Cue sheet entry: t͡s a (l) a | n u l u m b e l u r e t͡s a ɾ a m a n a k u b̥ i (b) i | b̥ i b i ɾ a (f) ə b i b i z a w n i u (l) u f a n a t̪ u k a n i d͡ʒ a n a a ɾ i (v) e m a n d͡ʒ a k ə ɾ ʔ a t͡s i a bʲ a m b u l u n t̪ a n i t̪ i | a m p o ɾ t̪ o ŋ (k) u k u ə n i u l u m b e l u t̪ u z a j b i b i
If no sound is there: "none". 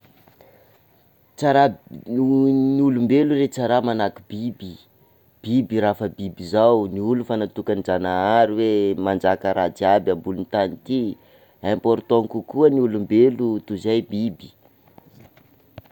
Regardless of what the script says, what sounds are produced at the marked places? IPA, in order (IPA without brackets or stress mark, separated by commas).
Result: ɾ, b, f, l, w, k